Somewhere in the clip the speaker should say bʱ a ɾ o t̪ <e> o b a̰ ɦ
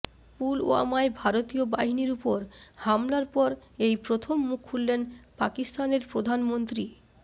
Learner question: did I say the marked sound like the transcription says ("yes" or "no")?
no